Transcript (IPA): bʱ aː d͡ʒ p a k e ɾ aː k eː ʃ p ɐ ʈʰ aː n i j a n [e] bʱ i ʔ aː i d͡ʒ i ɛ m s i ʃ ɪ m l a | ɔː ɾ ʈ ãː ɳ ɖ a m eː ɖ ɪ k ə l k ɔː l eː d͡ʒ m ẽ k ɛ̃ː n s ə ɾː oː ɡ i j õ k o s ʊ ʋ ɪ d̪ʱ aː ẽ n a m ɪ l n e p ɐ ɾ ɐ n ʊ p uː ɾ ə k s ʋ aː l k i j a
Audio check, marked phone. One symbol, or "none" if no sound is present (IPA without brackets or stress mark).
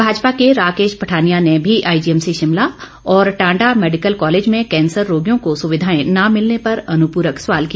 e